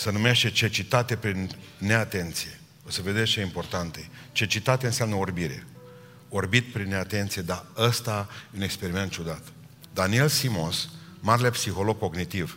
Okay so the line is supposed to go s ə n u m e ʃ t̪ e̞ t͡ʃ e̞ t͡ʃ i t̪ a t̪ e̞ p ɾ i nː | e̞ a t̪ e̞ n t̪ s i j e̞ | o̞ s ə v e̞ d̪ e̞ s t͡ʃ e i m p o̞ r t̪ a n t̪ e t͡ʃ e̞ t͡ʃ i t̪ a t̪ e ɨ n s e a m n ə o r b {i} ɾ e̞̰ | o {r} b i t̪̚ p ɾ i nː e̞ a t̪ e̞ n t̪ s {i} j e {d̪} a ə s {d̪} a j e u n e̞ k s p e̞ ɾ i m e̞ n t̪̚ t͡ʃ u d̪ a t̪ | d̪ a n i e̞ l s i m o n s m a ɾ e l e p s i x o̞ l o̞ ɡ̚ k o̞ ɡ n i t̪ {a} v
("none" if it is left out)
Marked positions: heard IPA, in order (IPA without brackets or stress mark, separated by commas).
i, r, i, d̪, t̪, i